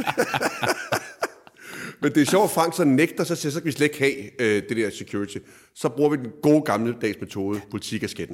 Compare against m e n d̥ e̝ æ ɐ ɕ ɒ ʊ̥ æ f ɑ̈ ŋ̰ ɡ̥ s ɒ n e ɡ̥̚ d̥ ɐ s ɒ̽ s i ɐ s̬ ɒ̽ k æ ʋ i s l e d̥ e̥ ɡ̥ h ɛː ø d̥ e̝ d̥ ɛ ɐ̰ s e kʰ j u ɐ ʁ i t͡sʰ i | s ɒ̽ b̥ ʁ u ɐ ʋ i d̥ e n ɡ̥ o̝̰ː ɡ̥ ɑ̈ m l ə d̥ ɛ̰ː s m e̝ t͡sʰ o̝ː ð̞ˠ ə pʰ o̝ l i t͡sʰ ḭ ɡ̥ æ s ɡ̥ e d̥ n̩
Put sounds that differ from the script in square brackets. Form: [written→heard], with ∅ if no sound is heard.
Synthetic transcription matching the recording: m e n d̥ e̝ æ ɐ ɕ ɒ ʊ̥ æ f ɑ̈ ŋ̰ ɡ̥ s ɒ n e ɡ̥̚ d̥ ɐ s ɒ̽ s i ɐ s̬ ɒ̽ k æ ʋ i s l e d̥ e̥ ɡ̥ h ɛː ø d̥ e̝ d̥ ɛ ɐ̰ s e kʰ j u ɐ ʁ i t͡sʰ i | s ɒ̽ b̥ ʁ u ɐ ʋ i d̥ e n ɡ̥ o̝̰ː ɡ̥ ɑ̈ m l ə d̥ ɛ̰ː s m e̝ t͡sʰ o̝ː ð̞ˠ ə pʰ o̝ l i t͡sʰ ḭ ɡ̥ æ s ɡ̥ e d̥ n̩